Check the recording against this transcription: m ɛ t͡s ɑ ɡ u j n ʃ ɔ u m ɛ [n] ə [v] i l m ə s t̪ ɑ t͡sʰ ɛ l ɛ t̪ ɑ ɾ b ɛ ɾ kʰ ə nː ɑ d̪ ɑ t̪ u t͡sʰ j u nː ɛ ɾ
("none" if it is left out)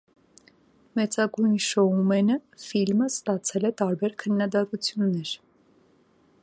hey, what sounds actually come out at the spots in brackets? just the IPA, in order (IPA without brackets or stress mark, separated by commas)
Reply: n, f